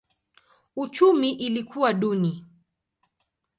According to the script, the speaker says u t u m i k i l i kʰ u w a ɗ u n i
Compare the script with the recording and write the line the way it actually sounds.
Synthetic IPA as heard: u t͡ʃ u m i ʔ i l i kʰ u w a ɗ u n i